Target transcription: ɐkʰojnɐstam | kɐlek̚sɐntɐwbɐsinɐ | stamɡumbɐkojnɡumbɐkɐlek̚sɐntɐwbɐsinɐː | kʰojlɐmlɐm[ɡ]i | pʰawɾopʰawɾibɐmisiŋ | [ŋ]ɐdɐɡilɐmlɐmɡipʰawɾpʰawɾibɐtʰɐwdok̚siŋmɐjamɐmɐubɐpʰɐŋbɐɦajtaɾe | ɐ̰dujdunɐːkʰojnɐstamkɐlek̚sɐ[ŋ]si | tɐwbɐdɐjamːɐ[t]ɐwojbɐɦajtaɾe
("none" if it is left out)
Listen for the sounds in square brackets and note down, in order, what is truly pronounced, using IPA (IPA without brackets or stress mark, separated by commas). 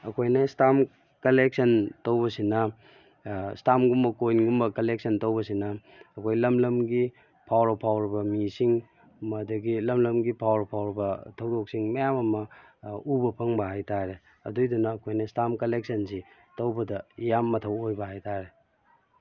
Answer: ɡ, m, n, tʰ